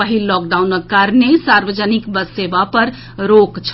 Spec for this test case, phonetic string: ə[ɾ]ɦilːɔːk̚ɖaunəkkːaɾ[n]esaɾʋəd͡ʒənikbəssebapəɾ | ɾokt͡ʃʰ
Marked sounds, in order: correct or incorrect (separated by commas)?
incorrect, correct